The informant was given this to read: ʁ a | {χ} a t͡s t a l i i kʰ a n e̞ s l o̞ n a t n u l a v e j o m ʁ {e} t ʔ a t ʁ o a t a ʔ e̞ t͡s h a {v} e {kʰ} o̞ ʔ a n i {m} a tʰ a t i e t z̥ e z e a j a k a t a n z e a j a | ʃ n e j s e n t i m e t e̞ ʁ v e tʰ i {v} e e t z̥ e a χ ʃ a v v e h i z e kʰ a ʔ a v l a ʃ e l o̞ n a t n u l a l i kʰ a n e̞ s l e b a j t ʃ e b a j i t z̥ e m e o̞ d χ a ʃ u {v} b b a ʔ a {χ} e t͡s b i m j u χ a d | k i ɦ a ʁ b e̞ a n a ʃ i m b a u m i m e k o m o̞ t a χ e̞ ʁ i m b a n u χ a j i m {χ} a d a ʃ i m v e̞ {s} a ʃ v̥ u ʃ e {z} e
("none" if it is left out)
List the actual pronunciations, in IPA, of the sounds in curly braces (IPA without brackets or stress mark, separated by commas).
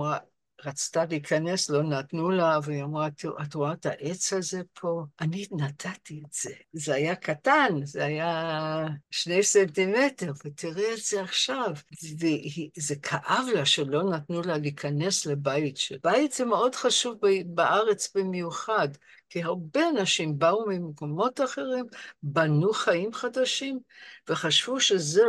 ʁ, a, z, pʰ, n, ʁ, v, ʁ, χ, χ, z